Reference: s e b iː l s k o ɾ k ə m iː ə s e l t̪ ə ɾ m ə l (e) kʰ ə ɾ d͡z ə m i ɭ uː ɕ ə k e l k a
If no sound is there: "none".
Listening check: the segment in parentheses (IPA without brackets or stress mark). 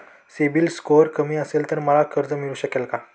a